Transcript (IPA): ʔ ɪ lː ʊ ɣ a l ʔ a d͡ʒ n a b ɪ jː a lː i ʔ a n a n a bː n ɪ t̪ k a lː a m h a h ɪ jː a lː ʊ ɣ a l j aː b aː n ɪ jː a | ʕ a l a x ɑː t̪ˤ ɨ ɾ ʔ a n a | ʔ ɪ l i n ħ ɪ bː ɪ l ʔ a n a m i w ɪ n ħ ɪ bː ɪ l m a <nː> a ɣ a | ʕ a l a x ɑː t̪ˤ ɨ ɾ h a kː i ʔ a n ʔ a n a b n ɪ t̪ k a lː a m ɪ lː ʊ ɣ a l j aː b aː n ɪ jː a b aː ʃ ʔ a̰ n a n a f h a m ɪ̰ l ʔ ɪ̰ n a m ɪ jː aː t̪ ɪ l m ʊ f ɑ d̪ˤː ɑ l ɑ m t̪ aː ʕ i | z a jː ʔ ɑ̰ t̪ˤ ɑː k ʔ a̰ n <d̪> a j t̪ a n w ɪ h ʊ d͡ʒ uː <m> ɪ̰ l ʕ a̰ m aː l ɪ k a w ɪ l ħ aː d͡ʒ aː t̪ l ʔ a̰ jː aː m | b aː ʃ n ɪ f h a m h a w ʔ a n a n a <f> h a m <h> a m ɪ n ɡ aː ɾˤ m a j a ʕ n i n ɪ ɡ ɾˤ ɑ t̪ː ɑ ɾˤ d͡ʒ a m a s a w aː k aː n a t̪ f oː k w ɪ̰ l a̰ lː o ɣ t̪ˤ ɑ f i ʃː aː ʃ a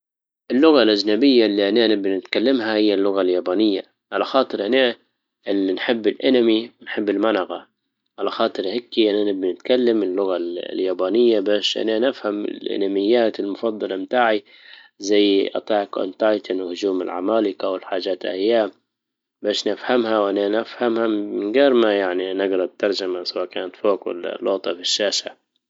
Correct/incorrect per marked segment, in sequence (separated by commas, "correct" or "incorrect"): incorrect, incorrect, correct, correct, correct